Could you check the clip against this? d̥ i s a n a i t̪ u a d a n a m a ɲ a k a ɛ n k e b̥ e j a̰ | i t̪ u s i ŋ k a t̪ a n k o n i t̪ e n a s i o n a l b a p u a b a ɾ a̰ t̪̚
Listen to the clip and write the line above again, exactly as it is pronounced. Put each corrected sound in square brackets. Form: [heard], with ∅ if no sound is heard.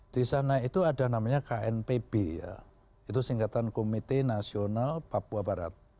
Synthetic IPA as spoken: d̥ i s a n a i t̪ u a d a n a m a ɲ a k a ɛ n [p] e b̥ e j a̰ | i t̪ u s i ŋ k a t̪ a n k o [m] i t̪ e n a s i o n a l [p] a p u a b a ɾ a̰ t̪̚